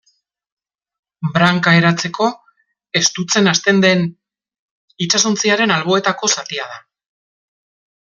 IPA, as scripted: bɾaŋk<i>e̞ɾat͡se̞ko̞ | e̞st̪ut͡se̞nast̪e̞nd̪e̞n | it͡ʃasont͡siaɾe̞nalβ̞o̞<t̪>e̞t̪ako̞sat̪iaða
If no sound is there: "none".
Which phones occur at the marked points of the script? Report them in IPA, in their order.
a, none

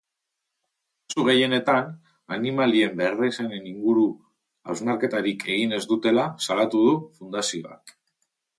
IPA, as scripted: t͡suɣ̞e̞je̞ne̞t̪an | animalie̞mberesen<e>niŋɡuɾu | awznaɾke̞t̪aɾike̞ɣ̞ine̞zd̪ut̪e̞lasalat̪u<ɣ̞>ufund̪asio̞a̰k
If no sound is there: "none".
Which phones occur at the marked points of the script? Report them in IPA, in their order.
e, ð̞

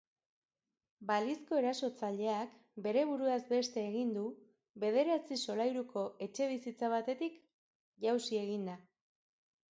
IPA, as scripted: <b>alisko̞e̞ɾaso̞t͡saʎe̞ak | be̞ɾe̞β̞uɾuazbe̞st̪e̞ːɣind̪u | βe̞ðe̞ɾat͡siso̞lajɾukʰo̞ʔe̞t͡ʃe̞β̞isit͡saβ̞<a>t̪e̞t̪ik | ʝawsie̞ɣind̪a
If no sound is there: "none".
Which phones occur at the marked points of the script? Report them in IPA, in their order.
b, a

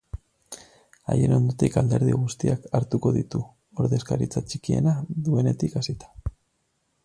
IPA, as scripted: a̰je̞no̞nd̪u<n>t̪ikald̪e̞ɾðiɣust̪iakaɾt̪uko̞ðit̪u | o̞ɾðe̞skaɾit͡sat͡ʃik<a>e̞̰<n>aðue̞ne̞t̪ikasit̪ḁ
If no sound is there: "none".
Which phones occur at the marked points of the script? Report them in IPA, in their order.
none, i, n

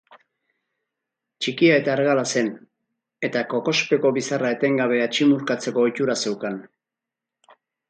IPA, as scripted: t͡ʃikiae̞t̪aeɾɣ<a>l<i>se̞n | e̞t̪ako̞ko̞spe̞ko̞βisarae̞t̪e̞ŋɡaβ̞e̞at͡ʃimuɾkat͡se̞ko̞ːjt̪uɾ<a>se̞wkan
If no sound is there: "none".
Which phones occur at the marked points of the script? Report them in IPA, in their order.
a, a, a

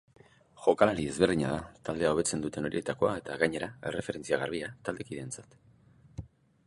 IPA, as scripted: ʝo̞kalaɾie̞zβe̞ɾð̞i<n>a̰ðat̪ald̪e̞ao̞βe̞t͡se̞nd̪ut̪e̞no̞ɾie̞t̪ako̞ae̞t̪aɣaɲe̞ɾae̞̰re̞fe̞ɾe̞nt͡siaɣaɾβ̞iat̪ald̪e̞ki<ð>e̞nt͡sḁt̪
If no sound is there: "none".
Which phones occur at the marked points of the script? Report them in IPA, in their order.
ɲ, ð

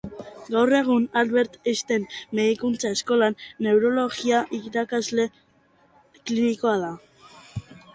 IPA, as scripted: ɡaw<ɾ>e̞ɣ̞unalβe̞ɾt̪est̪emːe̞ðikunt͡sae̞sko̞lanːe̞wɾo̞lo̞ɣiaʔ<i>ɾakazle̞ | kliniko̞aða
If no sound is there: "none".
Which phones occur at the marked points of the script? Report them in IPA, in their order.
r, i

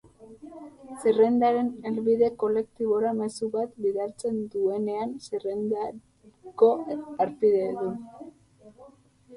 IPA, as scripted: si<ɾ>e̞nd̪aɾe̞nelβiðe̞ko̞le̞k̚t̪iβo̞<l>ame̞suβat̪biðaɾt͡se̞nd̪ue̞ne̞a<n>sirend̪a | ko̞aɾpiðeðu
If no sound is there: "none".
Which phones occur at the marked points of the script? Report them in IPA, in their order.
r, ɾ, n

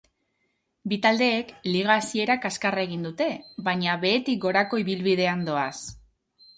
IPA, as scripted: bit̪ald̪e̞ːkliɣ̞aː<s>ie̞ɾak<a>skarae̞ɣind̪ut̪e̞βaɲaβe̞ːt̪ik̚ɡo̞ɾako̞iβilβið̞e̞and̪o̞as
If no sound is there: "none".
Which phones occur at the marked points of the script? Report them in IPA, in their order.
s, a

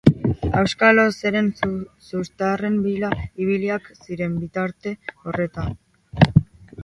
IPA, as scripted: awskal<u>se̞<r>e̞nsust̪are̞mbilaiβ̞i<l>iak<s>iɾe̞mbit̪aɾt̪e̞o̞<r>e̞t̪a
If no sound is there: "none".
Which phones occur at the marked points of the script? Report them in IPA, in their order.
o, ɾ, l, s, r

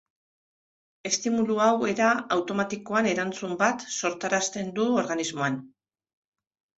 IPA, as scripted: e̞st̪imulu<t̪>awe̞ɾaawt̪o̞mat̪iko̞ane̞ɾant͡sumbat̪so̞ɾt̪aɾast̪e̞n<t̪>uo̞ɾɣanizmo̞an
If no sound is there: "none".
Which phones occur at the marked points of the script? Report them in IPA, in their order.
none, d̪

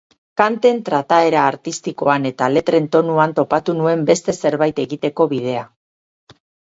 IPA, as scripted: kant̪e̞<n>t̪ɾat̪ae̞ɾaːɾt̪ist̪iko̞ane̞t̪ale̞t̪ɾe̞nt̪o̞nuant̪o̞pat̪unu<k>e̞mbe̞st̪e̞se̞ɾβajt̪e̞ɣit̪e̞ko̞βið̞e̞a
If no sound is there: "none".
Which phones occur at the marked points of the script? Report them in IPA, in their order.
n, none

